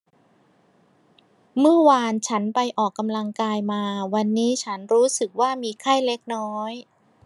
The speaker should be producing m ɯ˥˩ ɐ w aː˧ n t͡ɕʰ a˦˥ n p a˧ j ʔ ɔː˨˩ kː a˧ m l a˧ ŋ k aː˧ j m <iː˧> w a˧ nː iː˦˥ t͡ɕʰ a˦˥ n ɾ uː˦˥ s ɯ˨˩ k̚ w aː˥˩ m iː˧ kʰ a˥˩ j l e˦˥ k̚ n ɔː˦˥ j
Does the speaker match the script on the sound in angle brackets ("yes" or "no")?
no